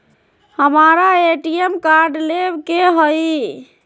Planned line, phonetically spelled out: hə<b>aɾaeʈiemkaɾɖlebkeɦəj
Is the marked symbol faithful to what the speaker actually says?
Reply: no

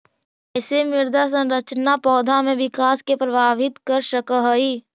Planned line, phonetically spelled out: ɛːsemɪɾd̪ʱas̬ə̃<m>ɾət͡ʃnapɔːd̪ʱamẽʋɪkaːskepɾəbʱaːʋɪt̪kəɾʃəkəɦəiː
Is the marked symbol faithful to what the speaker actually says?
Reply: no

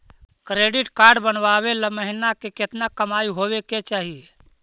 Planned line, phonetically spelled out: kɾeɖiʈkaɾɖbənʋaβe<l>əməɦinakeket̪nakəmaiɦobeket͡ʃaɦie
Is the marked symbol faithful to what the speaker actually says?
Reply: yes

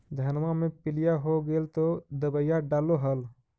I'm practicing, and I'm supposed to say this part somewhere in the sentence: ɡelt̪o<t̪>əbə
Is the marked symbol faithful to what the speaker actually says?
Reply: no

